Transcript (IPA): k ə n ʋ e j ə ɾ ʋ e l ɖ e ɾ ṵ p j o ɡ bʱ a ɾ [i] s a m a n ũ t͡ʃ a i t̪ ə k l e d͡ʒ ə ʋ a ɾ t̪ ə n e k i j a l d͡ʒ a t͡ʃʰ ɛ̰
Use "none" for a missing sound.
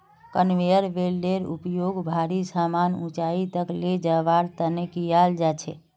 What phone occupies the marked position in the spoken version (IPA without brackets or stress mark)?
i